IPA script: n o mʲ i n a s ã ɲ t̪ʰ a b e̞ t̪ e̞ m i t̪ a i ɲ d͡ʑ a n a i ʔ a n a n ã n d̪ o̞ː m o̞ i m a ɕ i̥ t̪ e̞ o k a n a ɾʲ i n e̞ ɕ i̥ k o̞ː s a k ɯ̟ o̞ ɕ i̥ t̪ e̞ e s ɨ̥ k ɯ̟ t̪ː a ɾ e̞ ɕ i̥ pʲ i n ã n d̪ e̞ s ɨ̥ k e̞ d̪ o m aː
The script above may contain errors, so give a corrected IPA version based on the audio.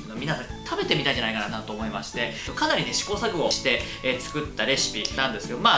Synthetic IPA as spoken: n o mʲ i n a s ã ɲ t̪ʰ a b e̞ t̪ e̞ m i t̪ a i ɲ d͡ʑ a n a i k a n a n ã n t̪ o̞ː m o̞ i m a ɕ i̥ t̪ e̞ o k a n a ɾʲ i n e̞ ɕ i̥ k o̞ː s a k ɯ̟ o̞ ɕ i̥ t̪ e̞ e t͡s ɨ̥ k ɯ̟ t̪ː a ɾ e̞ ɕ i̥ pʲ i n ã n d̪ e̞ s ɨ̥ k e̞ d̪ o m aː